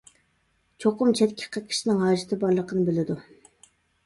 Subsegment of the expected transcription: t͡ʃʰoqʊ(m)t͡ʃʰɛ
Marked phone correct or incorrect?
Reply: correct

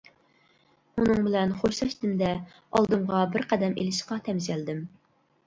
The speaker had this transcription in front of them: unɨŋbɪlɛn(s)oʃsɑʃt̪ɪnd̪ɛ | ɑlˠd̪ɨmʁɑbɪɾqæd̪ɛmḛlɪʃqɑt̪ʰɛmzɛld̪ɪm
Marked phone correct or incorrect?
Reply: incorrect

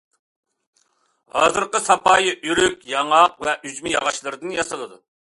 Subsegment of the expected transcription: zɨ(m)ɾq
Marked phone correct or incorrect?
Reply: incorrect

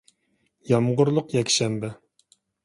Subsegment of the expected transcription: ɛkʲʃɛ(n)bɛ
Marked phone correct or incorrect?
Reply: incorrect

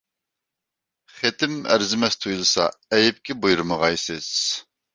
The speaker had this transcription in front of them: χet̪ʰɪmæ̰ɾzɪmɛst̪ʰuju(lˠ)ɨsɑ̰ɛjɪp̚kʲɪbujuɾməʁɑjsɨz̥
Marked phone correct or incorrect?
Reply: correct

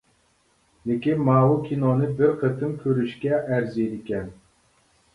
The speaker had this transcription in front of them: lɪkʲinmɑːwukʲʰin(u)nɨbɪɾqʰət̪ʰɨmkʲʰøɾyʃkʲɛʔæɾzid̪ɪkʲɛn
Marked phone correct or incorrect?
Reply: incorrect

